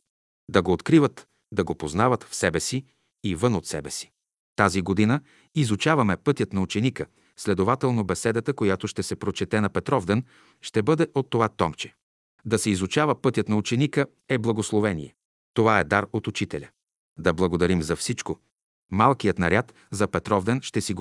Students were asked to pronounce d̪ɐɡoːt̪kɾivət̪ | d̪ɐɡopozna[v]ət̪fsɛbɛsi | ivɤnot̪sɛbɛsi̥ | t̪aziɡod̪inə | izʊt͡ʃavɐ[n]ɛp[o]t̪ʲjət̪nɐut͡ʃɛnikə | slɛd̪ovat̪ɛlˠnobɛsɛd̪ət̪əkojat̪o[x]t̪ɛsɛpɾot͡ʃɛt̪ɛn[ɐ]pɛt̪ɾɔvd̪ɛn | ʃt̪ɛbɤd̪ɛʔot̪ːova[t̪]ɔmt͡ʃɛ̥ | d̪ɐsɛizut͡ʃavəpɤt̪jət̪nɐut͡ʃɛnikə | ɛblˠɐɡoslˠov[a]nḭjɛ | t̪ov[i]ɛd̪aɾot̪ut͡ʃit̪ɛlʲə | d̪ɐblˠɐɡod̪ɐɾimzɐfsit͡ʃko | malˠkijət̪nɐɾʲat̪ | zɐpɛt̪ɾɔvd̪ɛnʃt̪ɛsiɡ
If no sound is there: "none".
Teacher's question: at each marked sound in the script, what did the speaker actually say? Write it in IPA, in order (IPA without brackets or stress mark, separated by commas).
v, m, ɤ, ʃ, ɐ, t̪, ɛ, a